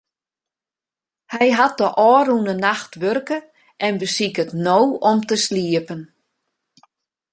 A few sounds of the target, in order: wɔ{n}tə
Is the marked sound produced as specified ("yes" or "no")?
no